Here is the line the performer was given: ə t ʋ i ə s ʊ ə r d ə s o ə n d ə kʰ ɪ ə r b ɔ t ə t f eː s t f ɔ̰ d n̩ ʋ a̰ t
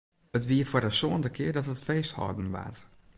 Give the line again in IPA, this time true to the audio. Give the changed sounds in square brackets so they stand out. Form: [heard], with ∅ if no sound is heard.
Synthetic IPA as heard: ə t ʋ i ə [f] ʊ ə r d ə s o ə n d ə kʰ ɪ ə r [d] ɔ t ə t f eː s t [h] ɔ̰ d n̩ ʋ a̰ t